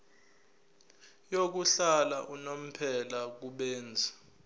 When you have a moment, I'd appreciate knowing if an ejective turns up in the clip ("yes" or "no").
no